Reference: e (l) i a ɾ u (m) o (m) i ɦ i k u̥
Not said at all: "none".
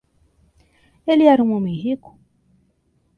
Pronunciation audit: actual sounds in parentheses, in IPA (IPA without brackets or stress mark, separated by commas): l, m, m